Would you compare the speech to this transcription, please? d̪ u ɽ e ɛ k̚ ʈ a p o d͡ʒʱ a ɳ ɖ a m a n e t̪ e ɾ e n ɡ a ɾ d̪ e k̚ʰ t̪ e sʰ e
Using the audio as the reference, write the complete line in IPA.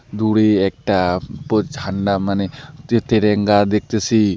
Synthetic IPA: d̪ u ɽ e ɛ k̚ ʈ a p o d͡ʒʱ a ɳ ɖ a m a n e t̪ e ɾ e ŋ ɡ a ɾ d̪ e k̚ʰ t̪ e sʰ i